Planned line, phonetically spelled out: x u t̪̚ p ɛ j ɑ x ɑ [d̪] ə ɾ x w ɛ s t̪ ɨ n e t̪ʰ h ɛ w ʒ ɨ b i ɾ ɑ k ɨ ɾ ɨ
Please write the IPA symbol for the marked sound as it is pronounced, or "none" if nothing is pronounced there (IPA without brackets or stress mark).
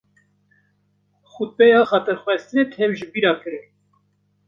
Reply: t̪